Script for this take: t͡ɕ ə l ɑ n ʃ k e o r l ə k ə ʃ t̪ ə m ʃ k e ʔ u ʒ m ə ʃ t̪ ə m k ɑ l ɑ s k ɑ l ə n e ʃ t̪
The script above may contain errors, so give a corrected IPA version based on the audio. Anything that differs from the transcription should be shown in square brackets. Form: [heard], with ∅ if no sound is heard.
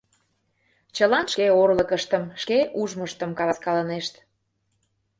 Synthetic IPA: t͡ɕ ə l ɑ n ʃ k e o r l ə k ə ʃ t̪ ə m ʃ k e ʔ u ʒ m ə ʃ t̪ ə m k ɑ l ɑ s k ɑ l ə n e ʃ t̪

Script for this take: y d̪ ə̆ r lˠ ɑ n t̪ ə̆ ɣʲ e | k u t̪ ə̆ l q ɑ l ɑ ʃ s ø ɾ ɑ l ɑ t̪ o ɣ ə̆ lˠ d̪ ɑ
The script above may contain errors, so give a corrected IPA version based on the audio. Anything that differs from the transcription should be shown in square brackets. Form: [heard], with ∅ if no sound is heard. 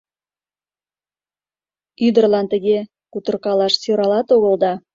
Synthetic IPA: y d̪ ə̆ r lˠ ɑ n t̪ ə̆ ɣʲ e | k u t̪ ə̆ [r] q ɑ l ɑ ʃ s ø ɾ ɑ l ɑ t̪ o ɣ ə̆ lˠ d̪ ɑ

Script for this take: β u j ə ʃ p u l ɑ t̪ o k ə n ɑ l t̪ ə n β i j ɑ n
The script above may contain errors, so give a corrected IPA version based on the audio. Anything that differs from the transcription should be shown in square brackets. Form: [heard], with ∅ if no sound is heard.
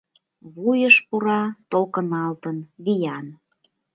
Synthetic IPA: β u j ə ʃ p u [ɾ] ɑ t̪ o k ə n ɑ l t̪ ə n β i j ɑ n

